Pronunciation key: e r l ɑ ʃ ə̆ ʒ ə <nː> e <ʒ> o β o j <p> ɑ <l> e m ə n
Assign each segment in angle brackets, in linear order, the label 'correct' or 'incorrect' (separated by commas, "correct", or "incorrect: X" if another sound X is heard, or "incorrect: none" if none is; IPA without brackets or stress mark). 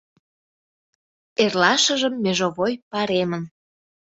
incorrect: mː, correct, correct, incorrect: ɾ